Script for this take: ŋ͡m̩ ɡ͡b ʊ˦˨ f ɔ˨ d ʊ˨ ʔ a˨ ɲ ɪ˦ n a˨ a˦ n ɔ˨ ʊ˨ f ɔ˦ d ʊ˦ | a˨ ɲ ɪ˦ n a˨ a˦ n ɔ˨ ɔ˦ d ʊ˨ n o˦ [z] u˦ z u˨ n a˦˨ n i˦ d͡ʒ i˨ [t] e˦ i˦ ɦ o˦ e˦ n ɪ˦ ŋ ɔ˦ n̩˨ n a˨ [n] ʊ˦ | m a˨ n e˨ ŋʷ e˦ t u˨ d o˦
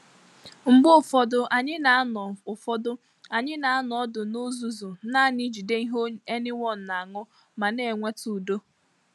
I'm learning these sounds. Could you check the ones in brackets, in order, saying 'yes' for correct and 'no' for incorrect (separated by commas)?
yes, no, no